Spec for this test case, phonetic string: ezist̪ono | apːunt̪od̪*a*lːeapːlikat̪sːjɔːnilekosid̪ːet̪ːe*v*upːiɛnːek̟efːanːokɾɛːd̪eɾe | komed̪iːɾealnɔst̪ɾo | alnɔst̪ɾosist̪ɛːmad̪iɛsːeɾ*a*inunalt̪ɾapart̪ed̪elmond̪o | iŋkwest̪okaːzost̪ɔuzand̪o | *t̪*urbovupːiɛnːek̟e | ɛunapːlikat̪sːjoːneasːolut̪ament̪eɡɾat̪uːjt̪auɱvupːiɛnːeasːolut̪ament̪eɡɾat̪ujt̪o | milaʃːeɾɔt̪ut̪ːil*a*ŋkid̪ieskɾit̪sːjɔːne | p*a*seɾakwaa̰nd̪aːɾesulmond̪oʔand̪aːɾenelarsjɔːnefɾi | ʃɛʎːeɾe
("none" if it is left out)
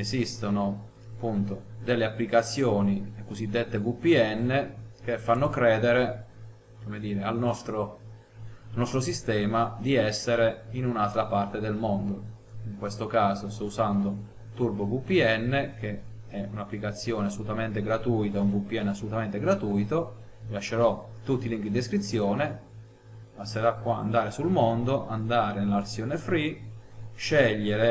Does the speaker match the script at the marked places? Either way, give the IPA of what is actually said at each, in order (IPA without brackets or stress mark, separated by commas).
e, v, e, t̪, i, a